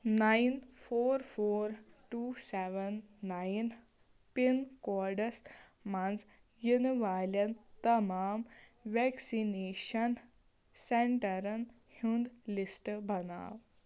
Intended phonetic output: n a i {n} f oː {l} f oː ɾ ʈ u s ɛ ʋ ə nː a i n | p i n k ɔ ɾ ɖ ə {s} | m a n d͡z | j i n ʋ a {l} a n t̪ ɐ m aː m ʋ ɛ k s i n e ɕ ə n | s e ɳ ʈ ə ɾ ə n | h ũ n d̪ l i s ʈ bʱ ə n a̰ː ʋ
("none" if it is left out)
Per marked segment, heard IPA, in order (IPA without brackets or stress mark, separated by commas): n, ɾ, s, l